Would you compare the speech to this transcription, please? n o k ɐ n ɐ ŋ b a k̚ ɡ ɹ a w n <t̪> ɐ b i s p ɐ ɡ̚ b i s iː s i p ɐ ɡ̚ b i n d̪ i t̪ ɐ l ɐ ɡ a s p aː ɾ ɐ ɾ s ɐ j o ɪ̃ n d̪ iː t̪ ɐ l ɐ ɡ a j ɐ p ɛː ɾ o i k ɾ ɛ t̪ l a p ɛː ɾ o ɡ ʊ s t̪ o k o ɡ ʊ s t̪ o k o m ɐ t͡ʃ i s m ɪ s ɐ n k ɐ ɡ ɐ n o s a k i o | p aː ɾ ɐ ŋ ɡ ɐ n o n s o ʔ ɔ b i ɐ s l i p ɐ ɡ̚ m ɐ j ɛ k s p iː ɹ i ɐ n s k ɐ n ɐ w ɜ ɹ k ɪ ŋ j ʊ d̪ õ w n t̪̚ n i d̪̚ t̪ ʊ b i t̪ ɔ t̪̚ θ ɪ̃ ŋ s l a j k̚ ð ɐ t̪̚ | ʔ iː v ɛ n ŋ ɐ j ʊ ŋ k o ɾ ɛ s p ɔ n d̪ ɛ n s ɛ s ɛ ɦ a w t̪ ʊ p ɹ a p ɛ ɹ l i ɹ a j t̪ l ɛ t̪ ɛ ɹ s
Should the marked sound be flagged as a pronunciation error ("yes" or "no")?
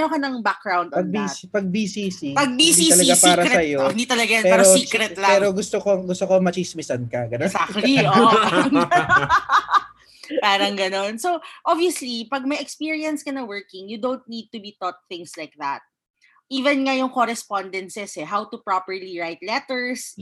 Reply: yes